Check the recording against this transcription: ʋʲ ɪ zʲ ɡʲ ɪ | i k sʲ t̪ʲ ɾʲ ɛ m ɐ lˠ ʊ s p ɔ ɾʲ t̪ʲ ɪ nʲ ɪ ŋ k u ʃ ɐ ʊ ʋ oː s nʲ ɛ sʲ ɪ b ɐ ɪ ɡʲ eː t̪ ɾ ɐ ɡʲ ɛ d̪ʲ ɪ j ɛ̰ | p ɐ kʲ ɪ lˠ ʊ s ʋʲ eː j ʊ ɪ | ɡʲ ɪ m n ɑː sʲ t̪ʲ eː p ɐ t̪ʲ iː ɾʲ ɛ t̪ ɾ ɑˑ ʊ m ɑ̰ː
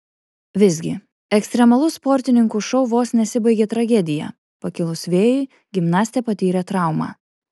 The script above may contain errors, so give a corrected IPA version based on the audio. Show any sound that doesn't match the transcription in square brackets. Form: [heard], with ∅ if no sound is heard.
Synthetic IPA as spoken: ʋʲ ɪ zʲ ɡʲ ɪ | [ɛ] k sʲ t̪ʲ ɾʲ ɛ m ɐ lˠ ʊ s p ɔ ɾʲ t̪ʲ ɪ nʲ ɪ ŋ k u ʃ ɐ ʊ ʋ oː s nʲ ɛ sʲ ɪ b ɐ ɪ ɡʲ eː t̪ ɾ ɐ ɡʲ ɛ d̪ʲ ɪ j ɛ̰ | p ɐ kʲ ɪ lˠ ʊ s ʋʲ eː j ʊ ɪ | ɡʲ ɪ m n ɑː sʲ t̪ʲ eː p ɐ t̪ʲ iː ɾʲ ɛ t̪ ɾ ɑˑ ʊ m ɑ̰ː